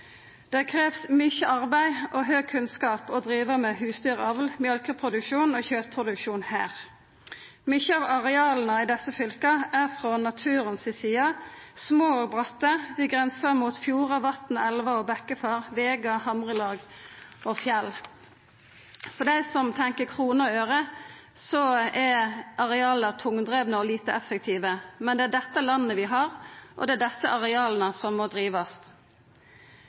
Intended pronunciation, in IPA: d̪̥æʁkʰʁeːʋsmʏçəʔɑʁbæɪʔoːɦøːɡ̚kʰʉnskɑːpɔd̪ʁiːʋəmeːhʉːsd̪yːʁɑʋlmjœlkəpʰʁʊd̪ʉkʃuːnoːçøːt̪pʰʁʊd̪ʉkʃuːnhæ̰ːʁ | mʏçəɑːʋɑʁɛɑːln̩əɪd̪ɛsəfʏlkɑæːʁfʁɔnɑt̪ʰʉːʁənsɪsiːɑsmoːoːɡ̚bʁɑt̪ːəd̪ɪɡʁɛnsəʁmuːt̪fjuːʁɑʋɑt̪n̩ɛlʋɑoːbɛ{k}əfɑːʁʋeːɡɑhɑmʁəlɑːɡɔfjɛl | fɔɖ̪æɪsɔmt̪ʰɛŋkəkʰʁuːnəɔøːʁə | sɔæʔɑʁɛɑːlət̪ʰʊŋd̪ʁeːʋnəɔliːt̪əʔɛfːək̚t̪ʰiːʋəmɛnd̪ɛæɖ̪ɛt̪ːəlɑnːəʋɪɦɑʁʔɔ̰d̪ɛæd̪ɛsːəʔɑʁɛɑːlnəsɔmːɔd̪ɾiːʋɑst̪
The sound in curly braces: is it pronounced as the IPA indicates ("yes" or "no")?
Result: yes